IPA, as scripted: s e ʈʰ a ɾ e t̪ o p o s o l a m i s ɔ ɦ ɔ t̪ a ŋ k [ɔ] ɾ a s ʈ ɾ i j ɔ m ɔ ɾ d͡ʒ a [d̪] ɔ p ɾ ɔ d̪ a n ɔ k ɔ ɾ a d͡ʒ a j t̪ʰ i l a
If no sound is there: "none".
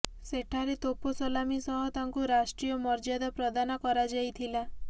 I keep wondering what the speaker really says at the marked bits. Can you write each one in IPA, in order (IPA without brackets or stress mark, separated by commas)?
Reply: u, d̪